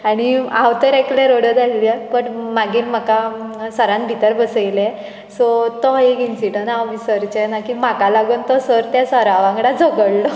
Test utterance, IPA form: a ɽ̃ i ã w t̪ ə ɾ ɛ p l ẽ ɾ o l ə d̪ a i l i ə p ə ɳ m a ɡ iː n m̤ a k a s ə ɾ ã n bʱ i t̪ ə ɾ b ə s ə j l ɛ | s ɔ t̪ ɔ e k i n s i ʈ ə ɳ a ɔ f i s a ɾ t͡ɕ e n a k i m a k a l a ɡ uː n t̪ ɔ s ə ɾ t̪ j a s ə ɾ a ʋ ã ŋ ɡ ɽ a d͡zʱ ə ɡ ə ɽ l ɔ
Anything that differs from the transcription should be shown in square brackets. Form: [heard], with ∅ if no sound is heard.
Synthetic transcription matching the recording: a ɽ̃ i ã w t̪ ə ɾ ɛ [k] l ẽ ɾ o [ɽ] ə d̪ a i l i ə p ə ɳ m a ɡ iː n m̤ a k a s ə ɾ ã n bʱ i t̪ ə ɾ b ə s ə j l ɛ | s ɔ t̪ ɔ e k i n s i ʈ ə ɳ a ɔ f i s [ə] ɾ t͡ɕ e n a k i m a k a l a ɡ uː n t̪ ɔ s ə ɾ t̪ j a s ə ɾ a ʋ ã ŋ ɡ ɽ a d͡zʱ ə ɡ ə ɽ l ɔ